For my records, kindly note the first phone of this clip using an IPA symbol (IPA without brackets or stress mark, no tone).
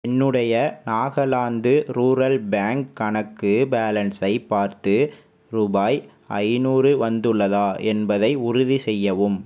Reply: ɛ